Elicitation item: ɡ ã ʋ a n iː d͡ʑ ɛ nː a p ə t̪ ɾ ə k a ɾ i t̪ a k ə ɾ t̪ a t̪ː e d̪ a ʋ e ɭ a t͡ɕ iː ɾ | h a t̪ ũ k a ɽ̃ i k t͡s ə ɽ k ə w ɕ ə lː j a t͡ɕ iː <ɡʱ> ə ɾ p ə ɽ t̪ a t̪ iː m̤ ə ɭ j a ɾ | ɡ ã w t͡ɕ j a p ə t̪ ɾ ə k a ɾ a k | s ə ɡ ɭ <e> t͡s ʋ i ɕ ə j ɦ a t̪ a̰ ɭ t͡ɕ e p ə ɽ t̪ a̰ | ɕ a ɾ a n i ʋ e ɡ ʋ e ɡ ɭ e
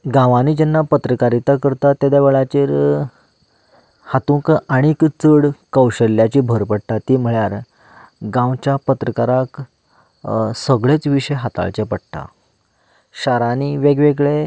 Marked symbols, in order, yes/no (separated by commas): no, yes